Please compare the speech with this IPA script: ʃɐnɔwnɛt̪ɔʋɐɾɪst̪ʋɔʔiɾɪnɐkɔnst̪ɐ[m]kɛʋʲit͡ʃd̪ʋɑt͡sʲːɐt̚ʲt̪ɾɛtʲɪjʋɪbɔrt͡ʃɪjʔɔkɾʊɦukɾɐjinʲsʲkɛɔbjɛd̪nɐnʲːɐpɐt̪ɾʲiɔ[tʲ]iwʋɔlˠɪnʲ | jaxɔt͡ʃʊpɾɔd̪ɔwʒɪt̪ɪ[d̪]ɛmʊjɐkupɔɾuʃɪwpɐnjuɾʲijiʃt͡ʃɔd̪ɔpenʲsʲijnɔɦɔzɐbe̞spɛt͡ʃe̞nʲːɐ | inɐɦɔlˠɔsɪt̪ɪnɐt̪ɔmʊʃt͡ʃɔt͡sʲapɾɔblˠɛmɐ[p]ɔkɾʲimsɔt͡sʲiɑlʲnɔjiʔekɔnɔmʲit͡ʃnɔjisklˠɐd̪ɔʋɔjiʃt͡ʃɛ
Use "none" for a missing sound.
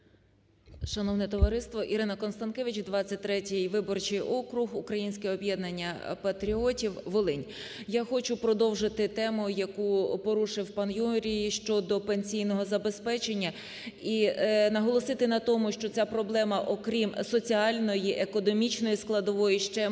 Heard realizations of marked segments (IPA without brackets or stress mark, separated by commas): n, tʲ, t̪, ʔ